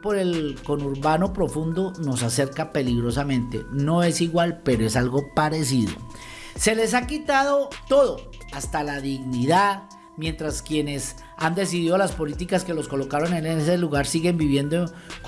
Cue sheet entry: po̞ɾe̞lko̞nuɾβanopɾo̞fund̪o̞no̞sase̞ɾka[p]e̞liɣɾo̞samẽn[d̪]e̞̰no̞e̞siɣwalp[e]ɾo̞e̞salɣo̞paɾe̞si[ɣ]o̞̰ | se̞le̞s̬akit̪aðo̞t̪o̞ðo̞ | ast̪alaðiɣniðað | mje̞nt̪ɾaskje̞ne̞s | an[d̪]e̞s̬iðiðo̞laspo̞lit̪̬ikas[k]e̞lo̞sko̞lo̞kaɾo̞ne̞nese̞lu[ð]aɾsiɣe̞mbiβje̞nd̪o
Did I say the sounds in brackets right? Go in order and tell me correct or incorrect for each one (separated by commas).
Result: correct, incorrect, correct, incorrect, correct, correct, incorrect